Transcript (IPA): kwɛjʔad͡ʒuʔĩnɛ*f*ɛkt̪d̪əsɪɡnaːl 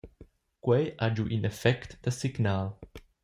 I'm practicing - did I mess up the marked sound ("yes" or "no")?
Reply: no